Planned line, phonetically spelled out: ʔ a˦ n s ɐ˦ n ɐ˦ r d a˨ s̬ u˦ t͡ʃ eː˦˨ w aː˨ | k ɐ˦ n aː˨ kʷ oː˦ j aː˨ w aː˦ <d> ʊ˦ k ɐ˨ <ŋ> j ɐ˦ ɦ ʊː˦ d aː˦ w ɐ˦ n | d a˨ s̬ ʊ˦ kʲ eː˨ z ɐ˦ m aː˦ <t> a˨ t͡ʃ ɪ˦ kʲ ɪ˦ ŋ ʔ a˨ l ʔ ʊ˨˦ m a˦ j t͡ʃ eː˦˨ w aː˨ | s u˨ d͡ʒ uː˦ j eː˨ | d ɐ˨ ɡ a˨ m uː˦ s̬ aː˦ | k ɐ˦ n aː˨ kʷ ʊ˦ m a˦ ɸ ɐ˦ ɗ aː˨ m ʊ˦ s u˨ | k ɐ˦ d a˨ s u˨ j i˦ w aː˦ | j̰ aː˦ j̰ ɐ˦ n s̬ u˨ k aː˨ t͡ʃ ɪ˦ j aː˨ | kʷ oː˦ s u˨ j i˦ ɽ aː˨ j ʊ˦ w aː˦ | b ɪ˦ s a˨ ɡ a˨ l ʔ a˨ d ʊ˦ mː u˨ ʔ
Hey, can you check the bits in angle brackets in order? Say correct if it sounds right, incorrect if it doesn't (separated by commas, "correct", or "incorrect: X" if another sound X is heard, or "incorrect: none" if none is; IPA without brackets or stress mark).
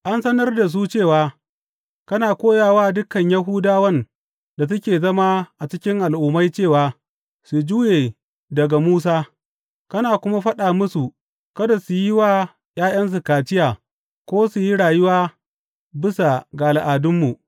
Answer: correct, incorrect: ɲ, incorrect: ʔ